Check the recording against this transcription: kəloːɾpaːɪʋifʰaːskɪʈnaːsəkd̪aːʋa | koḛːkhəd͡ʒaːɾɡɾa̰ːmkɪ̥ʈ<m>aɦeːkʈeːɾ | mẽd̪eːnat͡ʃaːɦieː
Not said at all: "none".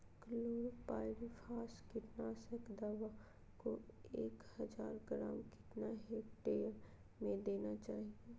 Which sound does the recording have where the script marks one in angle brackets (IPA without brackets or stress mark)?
n